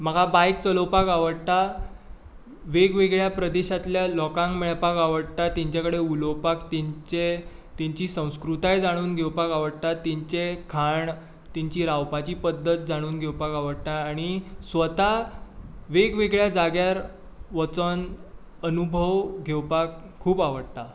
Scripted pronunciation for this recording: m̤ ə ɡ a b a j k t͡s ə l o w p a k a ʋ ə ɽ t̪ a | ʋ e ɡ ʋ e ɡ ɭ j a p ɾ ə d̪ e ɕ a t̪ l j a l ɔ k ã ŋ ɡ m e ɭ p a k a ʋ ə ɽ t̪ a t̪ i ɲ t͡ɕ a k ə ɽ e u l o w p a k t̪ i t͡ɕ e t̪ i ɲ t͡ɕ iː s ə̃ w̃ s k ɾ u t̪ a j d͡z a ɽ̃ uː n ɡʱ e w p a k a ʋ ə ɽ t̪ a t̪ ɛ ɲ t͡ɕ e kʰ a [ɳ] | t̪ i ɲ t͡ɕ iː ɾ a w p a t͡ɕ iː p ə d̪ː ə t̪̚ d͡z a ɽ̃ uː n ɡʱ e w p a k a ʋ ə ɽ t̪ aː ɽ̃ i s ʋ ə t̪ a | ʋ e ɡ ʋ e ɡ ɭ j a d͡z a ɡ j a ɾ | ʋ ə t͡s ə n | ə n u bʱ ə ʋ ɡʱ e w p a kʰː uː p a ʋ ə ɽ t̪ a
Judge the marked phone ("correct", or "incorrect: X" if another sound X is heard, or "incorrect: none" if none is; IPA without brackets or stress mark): correct